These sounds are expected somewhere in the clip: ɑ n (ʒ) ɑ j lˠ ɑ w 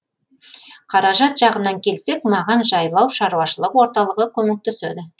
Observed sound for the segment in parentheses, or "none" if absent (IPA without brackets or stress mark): ʒ